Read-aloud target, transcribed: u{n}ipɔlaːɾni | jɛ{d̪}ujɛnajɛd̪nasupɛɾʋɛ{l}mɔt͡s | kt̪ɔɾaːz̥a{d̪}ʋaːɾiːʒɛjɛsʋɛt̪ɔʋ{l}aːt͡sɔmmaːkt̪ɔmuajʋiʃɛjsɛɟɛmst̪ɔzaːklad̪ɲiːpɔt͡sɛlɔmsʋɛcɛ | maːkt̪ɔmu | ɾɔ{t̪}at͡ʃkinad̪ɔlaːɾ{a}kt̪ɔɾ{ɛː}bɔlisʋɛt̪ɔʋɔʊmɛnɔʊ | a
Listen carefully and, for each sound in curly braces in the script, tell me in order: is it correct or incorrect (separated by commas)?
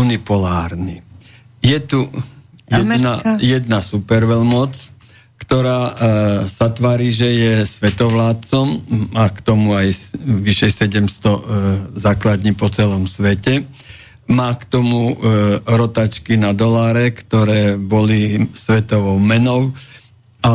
correct, incorrect, correct, incorrect, correct, correct, incorrect, correct